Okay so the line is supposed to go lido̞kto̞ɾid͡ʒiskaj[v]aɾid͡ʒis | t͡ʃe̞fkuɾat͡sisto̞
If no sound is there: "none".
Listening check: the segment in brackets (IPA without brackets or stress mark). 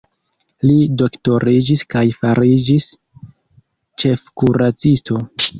f